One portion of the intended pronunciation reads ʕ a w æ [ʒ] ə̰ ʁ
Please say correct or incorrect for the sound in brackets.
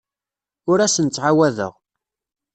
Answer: incorrect